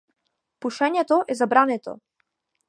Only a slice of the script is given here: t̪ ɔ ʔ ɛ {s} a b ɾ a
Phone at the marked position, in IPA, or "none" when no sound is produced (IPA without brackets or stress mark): z